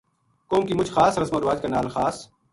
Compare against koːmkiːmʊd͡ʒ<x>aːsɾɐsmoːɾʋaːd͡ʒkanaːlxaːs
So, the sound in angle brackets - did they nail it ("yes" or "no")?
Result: yes